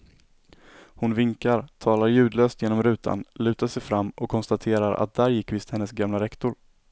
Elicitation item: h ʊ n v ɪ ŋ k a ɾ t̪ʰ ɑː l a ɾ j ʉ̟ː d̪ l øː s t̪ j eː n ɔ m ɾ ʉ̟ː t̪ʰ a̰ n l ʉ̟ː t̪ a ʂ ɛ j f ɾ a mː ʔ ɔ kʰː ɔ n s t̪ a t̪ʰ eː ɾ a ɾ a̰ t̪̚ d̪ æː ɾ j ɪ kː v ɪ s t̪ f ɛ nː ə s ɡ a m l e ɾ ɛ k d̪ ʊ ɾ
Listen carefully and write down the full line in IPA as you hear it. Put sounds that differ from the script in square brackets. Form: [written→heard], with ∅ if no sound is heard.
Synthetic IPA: h ʊ n v ɪ ŋ k a ɾ t̪ʰ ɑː l a ɾ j ʉ̟ː d̪ l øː s t̪ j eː n ɔ m ɾ ʉ̟ː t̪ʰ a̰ n l ʉ̟ː t̪ a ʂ ɛ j f ɾ a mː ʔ ɔ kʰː ɔ n s t̪ a t̪ʰ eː ɾ a ɾ a̰ t̪̚ d̪ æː ɾ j ɪ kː v ɪ s t̪ [f→h] ɛ nː ə s ɡ a m l [e→a] ɾ ɛ k [d̪→t̪] ʊ ɾ